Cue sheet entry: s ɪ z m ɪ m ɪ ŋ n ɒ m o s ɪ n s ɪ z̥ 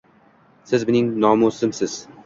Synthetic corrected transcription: s ɪ z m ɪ n ɪ ŋ n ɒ m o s ɪ m s ɪ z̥

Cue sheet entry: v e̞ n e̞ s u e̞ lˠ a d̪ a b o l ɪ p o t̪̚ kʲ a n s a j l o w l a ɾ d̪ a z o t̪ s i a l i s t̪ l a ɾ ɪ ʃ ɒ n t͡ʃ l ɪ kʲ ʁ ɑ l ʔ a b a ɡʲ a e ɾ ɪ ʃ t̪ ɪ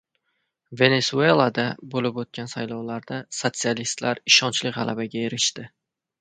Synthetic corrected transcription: v e̞ n e̞ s u e̞ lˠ a d̪ a b o l ɪ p o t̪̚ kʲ a n s a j l ɒ w l a ɾ d̪ a s o t̪ s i a l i s t̪ l a ɾ ɪ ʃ ɒ n t͡ʃ l ɪ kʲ ʁ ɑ l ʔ a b a ɡʲ a e ɾ ɪ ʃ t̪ ɪ

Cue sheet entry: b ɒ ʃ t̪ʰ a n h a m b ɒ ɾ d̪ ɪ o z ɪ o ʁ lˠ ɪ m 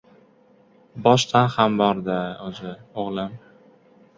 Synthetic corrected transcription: b ɒ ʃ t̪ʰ a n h a m b ɒ ɾ d̪ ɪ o z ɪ o ʁ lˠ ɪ m

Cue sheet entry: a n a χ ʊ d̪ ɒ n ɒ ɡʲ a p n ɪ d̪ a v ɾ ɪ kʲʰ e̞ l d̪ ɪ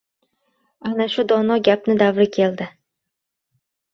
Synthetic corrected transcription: a n a ʃ ʊ d̪ ɒ n ɒ ɡʲ a p n ɪ d̪ a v ɾ ɪ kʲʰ e̞ l d̪ ɪ

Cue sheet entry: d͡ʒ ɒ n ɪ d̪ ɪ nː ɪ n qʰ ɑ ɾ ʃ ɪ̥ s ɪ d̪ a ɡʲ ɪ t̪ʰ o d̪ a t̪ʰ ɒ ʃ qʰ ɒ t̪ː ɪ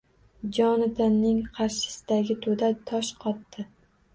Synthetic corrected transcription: d͡ʒ ɒ n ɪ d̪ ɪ nː ɪ ŋ qʰ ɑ ɾ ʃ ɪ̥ s ɪ d̪ a ɡʲ ɪ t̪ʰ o d̪ a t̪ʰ ɒ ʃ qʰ ɒ t̪ː ɪ

